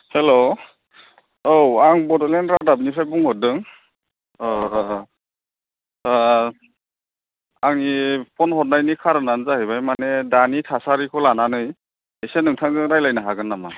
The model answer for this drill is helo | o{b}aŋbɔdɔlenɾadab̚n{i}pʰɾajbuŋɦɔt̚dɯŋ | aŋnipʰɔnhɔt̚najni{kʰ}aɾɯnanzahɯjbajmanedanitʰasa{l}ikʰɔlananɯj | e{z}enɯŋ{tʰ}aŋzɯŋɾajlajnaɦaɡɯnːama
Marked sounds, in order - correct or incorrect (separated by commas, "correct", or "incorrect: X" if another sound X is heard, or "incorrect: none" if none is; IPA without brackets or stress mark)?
incorrect: w, correct, correct, incorrect: ɾ, incorrect: s, correct